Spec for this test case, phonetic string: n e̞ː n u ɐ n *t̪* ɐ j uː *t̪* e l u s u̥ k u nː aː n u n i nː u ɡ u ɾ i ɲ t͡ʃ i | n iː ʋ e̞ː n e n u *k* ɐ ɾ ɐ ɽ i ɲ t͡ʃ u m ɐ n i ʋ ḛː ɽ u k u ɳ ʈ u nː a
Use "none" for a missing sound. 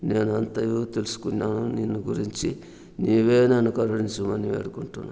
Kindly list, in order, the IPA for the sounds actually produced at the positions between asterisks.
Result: t̪, t̪, k

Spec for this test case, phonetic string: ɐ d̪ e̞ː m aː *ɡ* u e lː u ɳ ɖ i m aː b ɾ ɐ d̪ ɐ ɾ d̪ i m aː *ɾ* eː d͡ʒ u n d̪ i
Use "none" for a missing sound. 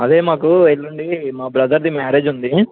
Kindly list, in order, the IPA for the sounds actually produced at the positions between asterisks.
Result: k, ɾ

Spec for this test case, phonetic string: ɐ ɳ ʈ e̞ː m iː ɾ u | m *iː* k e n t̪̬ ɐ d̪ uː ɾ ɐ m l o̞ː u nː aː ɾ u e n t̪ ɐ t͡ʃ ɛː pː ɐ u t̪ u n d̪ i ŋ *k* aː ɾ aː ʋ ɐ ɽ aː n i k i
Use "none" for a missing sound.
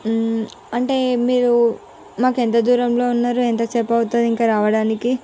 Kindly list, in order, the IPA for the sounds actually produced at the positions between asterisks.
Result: aː, k

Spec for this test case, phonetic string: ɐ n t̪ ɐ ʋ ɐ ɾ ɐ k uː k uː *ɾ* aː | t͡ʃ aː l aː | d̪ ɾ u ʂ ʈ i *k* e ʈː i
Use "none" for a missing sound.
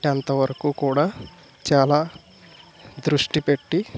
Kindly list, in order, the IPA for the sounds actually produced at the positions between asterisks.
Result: ɽ, p

